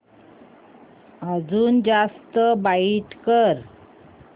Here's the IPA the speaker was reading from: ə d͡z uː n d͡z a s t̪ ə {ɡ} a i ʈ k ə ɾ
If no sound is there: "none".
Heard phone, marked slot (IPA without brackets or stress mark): b